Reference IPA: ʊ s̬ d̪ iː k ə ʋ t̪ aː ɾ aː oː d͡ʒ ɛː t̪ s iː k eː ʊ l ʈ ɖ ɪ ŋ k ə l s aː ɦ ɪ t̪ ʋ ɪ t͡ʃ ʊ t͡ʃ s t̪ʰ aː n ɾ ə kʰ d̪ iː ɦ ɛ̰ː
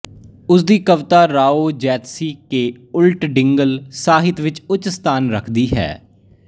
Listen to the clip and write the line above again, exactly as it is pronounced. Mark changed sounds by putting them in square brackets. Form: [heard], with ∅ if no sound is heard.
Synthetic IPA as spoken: ʊ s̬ d̪ iː k ə ʋ t̪ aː ɾ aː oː d͡ʒ ɛː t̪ s iː k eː ʊ l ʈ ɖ ɪ ŋ [ɡ] ə l s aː ɦ ɪ t̪ ʋ ɪ t͡ʃ ʊ t͡ʃ s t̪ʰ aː n ɾ ə kʰ d̪ iː ɦ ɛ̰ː